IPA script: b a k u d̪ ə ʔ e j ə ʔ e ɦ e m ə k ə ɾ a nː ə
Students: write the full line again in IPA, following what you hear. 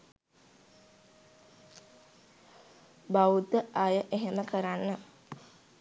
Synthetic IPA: b a u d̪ ə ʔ a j ə ʔ e ɦ e m ə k ə ɾ a nː ə